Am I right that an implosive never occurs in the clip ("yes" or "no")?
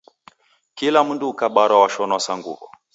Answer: no